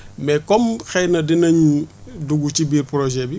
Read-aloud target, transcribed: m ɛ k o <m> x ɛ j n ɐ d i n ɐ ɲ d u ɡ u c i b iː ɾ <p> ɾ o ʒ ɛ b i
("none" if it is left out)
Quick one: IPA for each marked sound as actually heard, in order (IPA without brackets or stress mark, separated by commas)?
m, p